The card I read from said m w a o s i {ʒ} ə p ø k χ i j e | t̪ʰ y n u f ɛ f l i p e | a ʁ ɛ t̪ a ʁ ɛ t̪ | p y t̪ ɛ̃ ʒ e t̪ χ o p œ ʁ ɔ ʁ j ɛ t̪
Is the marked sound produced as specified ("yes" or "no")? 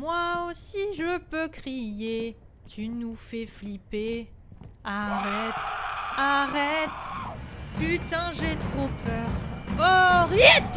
yes